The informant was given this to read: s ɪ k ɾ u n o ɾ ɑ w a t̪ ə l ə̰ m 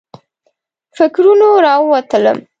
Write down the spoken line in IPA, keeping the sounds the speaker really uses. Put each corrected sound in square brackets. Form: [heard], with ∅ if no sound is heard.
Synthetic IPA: [f] ɪ k ɾ u n o ɾ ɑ w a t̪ ə l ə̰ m